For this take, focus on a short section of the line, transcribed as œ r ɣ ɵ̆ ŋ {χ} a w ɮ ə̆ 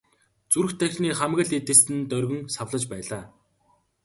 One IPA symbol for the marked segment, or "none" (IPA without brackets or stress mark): s